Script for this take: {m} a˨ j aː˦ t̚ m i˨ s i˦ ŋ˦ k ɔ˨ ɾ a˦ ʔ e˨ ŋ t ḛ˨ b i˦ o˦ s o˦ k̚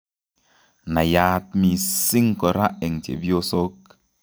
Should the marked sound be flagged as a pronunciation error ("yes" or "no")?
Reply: yes